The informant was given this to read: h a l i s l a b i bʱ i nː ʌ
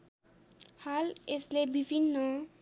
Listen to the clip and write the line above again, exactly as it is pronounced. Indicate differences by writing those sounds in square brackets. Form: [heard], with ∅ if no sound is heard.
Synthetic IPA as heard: h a l [e] s l [e] b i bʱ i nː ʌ